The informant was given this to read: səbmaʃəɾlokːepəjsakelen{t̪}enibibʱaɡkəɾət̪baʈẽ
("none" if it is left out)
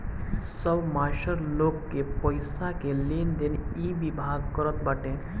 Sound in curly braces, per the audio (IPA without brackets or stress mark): d̪